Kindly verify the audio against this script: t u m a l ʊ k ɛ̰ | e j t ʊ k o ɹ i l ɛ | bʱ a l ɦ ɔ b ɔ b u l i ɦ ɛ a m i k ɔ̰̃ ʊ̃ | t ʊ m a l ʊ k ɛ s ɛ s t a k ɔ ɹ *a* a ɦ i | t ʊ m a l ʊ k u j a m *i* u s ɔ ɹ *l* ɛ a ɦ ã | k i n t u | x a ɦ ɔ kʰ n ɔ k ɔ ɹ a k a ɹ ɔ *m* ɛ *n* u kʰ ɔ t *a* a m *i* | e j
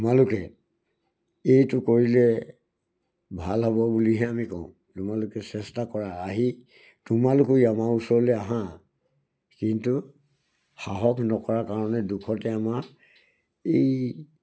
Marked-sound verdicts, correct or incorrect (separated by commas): correct, incorrect, correct, incorrect, incorrect, incorrect, incorrect